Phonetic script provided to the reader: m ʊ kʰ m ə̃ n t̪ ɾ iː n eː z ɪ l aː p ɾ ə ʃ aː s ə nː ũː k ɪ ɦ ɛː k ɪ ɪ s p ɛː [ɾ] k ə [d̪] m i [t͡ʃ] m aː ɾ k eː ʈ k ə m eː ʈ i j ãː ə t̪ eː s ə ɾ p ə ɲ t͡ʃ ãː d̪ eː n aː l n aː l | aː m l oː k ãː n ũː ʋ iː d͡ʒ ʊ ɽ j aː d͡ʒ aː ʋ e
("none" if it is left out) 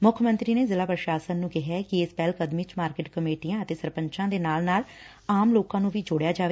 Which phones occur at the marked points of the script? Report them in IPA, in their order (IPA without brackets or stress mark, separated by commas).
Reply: l, d̪, t͡ʃ